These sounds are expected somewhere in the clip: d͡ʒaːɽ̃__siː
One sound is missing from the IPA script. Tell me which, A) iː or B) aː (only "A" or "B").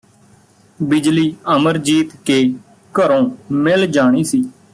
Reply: A